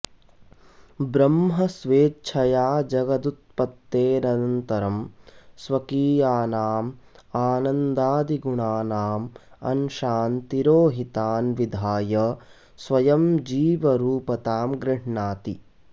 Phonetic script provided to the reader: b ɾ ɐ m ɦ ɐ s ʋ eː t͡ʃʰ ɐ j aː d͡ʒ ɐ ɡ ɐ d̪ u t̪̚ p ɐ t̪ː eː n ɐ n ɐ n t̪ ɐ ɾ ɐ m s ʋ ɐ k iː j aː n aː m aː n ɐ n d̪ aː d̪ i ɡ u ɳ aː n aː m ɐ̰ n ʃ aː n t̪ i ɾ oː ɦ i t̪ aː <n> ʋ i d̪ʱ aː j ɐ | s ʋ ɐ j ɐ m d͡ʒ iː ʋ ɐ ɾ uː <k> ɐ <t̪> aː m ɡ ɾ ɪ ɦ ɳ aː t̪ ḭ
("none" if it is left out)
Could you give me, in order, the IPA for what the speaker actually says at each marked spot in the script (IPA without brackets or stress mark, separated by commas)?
n, p, t̪